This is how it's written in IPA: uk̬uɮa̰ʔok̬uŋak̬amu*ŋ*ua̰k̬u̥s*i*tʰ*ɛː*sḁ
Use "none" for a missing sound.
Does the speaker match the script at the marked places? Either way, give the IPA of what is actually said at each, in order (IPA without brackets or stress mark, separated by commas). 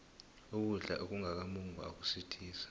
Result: ŋ, i, iː